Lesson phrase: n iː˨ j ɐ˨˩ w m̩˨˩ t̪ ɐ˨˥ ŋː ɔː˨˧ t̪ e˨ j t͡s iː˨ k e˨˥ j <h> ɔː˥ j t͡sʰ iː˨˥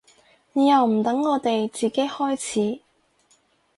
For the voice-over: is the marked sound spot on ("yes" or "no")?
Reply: yes